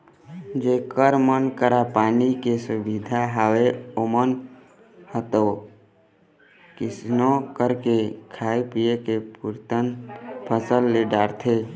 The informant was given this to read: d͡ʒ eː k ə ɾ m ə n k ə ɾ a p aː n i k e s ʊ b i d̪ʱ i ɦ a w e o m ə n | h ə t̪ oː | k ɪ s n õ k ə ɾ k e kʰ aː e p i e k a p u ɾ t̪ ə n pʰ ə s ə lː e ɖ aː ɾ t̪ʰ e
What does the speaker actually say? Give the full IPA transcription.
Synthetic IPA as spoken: d͡ʒ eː k ə ɾ m ə n k ə ɾ a p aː n i k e s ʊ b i d̪ʱ a ɦ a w e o m ə n | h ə t̪ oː | k ɪ s n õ k ə ɾ k e kʰ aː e p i e k e p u ɾ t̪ ə n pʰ ə s ə lː e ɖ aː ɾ t̪ʰ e